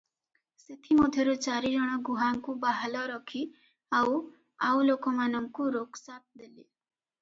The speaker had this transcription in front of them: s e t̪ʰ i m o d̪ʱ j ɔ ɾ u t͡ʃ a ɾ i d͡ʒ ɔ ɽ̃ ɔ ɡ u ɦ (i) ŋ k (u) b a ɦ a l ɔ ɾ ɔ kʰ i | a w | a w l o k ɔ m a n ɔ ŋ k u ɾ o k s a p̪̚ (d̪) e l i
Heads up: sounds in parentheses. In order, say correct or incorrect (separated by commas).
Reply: incorrect, correct, correct